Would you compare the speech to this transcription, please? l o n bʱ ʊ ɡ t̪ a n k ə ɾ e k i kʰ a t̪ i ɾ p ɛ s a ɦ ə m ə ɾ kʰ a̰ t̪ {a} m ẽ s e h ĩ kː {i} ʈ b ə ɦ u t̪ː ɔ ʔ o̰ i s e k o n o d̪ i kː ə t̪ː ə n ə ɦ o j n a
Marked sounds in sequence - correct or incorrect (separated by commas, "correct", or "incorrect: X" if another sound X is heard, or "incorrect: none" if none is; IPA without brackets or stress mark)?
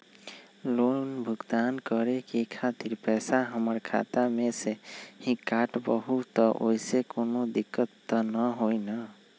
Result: correct, incorrect: a